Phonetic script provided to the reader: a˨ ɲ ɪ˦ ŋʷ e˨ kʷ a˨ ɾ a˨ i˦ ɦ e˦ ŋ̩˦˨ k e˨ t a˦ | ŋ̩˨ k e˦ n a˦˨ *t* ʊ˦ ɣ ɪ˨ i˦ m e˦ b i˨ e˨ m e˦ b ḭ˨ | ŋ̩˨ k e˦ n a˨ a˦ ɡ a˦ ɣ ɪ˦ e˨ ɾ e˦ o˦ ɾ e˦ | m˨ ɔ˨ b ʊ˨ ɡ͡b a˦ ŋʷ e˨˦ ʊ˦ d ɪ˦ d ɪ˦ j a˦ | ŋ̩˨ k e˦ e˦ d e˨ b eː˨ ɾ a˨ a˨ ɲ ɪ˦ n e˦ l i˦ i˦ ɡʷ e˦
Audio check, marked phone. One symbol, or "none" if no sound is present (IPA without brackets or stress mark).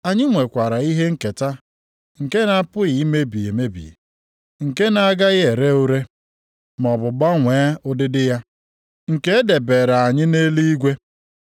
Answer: p